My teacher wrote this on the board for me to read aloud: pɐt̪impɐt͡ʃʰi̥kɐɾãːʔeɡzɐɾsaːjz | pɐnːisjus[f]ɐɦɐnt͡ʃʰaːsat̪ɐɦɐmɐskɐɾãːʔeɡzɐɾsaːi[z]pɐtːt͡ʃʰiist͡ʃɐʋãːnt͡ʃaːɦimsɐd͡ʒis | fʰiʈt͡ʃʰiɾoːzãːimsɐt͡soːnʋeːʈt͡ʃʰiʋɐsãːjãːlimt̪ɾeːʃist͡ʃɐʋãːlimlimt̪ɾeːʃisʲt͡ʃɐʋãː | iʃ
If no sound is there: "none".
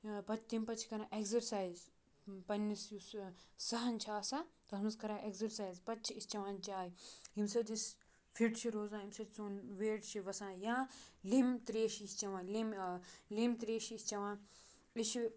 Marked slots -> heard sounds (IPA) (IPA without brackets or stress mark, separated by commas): s, z